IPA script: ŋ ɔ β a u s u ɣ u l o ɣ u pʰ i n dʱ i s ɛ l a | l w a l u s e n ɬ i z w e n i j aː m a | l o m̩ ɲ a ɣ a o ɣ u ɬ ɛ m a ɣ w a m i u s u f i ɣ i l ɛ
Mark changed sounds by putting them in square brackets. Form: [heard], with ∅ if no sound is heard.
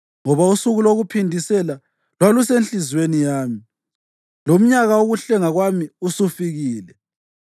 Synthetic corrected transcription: ŋ ɔ β a u s u ɣ u l o ɣ u pʰ i n dʱ i s ɛ l a | l w a l u s e n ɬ i z w e n i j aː m [i] | l o m̩ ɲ a ɣ a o ɣ u ɬ ɛ [ŋ] a ɣ w a m i u s u f i ɣ [iː] l ɛ